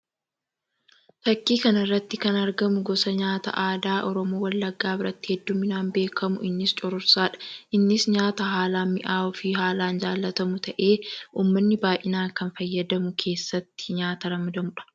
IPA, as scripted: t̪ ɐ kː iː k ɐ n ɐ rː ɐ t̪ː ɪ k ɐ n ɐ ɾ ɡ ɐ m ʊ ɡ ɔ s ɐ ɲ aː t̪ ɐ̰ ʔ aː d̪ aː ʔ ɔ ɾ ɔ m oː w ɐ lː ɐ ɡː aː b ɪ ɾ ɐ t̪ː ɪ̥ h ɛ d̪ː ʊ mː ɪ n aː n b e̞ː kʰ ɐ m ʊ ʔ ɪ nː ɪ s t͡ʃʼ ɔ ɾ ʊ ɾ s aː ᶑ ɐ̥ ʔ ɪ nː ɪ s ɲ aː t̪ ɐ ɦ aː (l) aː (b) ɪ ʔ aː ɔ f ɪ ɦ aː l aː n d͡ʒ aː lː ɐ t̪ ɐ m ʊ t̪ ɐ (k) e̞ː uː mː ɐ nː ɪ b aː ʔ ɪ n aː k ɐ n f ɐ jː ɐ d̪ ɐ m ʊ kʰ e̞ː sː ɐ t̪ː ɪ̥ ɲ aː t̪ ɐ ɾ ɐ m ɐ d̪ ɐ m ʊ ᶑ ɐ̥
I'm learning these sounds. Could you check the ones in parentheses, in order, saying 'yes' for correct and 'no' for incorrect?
yes, no, no

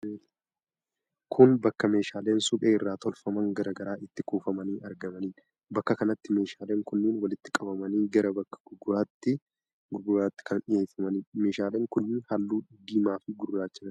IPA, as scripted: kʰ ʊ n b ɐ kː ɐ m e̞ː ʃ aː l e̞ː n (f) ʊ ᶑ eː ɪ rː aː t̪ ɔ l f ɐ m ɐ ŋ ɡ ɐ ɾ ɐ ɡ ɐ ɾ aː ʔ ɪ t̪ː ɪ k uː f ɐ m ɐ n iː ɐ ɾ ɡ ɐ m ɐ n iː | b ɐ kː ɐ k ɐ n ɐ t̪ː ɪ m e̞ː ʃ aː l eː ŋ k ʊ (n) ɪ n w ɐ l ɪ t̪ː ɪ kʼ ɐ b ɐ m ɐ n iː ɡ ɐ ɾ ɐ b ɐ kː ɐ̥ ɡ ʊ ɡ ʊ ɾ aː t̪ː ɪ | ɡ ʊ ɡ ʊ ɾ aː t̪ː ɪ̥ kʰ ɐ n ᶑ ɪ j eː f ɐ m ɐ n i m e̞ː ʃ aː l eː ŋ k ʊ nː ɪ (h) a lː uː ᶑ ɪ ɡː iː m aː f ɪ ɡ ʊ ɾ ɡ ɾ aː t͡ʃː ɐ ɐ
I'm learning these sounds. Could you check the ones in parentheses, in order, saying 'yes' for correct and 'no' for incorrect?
no, no, yes

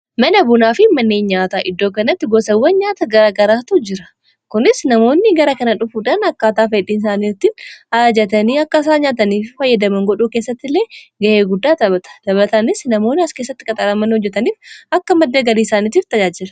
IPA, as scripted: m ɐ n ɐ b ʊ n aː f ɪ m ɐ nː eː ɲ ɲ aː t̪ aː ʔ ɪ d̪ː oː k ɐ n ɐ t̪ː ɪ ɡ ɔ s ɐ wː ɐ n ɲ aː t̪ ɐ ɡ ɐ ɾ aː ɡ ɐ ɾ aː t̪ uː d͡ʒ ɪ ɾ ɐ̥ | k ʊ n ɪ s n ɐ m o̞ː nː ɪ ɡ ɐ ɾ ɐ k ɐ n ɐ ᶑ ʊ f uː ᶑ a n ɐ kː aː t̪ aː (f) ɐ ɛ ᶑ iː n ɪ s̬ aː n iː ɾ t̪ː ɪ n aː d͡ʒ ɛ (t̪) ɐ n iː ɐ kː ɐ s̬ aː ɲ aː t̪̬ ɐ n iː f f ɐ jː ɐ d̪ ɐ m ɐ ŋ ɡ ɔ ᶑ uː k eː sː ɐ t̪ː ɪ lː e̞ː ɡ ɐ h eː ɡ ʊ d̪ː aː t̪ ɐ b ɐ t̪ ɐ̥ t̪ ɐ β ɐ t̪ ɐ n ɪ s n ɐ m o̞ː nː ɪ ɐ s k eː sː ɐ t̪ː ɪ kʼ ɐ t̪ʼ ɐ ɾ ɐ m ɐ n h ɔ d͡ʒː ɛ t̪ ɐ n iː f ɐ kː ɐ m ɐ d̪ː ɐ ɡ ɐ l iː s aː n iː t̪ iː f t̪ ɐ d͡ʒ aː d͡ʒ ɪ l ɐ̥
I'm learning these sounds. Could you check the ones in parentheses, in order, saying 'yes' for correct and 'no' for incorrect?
yes, yes

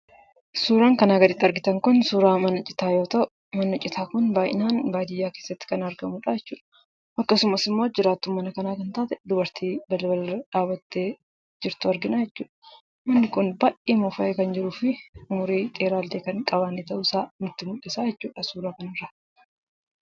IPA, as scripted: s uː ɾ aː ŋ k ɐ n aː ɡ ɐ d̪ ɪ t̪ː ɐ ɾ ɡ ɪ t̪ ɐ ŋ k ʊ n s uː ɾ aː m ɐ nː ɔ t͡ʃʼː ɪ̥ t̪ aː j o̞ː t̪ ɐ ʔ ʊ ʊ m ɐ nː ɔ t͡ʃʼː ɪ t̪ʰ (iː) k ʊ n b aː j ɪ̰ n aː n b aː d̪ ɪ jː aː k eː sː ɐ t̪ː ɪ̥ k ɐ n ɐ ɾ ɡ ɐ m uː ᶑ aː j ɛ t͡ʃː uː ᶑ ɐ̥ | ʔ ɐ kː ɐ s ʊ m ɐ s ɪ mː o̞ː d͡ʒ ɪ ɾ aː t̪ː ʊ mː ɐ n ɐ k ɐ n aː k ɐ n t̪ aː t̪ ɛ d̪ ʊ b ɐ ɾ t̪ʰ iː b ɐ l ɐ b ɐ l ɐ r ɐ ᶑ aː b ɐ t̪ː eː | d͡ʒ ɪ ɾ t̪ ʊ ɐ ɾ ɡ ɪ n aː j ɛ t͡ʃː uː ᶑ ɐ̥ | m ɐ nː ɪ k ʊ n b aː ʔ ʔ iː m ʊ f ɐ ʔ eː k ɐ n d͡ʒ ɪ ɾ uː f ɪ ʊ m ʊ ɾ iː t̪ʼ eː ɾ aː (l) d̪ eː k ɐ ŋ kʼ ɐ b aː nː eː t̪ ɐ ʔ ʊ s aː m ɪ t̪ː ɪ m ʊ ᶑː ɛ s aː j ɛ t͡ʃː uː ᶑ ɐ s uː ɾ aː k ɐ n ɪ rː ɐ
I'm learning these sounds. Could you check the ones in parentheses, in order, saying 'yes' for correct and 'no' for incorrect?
no, yes

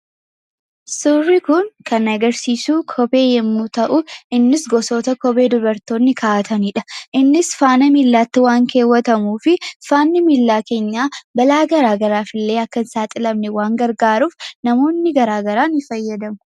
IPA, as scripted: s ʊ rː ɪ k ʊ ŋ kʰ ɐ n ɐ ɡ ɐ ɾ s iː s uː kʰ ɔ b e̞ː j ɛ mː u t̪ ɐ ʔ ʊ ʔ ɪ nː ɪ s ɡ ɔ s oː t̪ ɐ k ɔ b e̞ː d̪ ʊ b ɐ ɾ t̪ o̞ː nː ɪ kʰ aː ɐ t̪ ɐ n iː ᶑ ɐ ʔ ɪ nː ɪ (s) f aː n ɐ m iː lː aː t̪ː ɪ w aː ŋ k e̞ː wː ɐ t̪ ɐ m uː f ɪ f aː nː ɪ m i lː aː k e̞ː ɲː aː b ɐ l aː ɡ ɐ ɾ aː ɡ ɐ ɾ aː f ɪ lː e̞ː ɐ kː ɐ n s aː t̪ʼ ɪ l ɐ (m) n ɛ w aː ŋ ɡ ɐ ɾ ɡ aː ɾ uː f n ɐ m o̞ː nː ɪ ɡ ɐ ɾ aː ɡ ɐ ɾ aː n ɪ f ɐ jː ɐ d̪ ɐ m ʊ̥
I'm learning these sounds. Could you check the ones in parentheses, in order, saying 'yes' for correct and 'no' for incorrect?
yes, yes

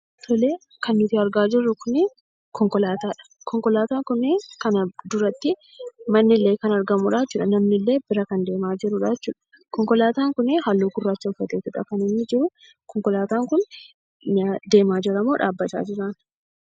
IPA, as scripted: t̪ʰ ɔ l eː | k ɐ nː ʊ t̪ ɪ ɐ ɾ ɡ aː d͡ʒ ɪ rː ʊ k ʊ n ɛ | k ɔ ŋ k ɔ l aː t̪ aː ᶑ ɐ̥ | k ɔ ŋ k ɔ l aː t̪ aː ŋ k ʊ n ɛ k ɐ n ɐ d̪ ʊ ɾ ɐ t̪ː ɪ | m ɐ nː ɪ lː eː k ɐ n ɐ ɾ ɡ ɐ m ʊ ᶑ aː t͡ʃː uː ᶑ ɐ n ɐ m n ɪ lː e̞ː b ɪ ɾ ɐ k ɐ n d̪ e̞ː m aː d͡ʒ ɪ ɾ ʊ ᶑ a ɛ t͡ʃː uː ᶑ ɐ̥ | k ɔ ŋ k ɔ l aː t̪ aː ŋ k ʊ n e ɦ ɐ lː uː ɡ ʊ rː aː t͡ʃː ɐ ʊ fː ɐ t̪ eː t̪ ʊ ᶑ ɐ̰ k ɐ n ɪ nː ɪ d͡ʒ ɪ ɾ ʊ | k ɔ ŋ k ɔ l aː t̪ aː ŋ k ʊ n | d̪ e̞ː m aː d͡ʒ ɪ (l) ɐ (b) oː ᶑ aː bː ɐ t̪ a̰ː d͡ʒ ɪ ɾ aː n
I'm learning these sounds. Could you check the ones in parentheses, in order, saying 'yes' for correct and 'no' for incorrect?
no, no

